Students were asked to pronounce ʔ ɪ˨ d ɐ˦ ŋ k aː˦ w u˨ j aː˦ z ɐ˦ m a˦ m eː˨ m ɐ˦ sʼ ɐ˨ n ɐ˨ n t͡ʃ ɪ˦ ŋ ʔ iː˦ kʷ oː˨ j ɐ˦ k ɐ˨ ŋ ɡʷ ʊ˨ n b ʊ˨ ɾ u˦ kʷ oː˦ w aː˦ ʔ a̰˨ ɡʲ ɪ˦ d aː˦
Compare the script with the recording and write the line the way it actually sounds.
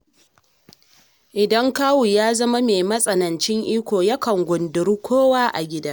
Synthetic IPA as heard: ʔ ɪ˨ d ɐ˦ ŋ k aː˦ w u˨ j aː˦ z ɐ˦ m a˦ m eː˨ m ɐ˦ sʼ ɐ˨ n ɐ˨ n t͡ʃ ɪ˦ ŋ ʔ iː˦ kʷ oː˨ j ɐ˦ k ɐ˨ ŋ ɡʷ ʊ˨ n d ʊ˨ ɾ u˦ kʷ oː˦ w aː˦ ʔ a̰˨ ɡʲ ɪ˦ d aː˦